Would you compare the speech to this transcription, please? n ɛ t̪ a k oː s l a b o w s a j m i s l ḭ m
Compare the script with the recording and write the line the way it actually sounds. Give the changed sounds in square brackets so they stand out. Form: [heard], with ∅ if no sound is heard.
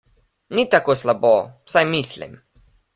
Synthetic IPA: n [i] t̪ a k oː s l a b o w s a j m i s l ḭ m